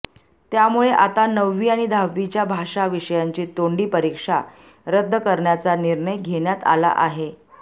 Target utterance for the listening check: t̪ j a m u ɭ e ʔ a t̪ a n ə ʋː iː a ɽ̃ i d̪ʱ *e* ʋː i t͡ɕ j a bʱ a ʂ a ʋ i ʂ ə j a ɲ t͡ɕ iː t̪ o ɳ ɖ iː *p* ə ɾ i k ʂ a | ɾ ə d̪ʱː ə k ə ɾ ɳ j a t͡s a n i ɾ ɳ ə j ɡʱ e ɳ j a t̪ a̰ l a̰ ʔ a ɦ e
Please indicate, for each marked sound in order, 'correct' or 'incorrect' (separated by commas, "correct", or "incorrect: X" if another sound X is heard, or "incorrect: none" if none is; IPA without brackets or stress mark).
incorrect: a, correct